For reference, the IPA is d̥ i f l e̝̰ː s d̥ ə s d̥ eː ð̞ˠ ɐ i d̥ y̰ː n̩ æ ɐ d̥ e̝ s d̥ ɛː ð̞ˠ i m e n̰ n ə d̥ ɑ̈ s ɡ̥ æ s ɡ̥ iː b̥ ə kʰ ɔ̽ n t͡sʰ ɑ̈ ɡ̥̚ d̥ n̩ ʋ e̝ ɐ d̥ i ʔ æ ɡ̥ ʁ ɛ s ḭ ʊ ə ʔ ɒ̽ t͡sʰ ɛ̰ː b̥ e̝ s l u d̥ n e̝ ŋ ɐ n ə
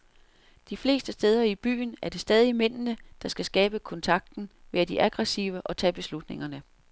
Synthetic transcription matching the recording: d̥ i f l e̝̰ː s d̥ ə s d̥ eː ð̞ˠ ɐ i b̥ y̰ː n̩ æ ɐ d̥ e̝ s d̥ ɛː ð̞ˠ i m e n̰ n ə d̥ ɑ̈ s ɡ̥ æ s ɡ̥ ɛː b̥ ə kʰ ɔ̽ n t͡sʰ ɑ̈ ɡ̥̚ d̥ n̩ ʋ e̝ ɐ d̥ i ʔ æ ɡ̥ ʁ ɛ s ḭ ʊ ə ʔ ɒ̽ t͡sʰ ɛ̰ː b̥ e̝ s l u d̥ n e̝ ŋ ɐ n ə